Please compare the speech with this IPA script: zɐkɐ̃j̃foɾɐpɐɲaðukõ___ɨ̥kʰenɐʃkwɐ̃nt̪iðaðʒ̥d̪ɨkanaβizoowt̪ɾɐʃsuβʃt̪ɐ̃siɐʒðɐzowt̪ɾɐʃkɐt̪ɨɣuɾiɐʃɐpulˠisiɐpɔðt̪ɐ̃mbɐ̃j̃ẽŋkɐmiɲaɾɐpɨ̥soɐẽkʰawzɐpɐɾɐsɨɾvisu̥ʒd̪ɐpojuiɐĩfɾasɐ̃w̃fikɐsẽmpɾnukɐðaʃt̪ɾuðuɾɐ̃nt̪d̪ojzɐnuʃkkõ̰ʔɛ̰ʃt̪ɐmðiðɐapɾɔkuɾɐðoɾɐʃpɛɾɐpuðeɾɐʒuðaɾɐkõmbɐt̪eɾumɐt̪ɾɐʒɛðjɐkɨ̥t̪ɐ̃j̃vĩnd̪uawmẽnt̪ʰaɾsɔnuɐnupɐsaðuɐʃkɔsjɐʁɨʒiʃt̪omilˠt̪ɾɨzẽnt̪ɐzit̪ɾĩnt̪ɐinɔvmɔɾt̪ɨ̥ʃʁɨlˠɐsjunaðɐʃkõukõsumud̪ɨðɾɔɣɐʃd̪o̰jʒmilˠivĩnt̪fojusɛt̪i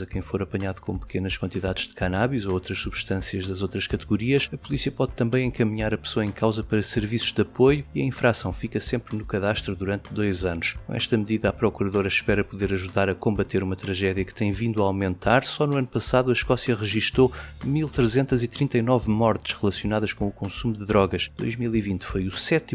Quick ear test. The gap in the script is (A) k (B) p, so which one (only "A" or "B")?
B